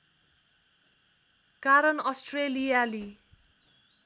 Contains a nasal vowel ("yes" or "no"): no